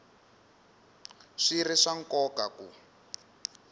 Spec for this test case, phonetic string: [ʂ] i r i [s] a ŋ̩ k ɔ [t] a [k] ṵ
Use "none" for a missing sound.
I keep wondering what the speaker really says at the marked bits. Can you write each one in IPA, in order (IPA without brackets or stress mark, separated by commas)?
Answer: ʂ, ʂ, k, k